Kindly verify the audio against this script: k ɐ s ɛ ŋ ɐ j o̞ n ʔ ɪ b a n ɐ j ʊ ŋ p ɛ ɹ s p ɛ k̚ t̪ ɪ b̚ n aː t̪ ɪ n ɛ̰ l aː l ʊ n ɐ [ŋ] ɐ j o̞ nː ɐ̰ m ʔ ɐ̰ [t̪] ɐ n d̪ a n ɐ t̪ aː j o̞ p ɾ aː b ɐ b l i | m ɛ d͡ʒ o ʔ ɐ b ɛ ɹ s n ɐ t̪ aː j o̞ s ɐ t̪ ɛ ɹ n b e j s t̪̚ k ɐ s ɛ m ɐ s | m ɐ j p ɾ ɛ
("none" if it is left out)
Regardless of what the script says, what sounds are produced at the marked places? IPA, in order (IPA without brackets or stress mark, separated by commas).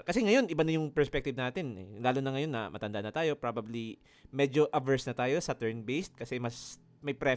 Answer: ŋ, t̪